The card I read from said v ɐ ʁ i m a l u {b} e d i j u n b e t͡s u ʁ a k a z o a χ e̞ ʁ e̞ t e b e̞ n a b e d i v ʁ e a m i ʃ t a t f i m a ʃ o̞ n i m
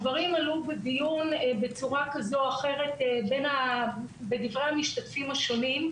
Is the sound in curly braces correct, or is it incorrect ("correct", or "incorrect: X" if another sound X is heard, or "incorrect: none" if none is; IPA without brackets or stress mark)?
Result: correct